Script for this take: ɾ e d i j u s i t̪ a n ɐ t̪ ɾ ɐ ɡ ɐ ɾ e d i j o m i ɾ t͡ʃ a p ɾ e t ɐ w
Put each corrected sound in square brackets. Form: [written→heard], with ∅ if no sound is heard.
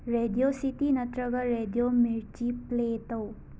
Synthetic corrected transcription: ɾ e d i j [u→o] s i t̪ [a→i] n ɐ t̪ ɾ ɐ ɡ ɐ ɾ e d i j o m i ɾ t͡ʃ [a→i] p [ɾ→l] e t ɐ w